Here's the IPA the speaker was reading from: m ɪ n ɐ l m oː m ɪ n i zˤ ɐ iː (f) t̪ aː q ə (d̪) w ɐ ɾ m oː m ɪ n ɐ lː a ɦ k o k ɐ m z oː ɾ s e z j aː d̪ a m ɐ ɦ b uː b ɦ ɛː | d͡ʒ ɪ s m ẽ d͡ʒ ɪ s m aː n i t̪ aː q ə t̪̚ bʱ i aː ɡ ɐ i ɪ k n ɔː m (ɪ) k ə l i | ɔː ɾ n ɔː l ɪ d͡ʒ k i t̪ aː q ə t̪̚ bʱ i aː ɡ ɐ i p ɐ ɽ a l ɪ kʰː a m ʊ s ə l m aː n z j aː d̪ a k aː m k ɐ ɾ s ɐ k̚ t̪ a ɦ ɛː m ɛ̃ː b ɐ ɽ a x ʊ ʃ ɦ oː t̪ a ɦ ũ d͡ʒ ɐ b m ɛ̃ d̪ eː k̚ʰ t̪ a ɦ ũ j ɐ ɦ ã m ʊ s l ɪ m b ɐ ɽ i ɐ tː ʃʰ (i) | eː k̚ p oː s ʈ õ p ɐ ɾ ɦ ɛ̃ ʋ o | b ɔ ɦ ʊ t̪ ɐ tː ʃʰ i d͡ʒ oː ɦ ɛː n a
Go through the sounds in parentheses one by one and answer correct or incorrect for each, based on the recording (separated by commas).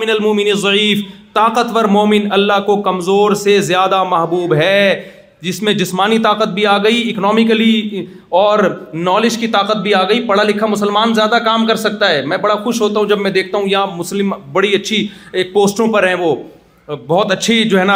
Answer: correct, incorrect, correct, correct